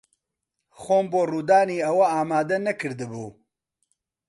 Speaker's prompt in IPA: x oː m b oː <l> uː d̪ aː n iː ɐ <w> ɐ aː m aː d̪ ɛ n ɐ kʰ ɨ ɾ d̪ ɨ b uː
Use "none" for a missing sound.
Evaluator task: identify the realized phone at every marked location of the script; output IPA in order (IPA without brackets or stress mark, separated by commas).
r, w